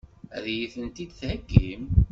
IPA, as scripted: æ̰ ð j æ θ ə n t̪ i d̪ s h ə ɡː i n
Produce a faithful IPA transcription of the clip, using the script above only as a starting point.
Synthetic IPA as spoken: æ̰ ð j i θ ə n t̪ i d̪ θ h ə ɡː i m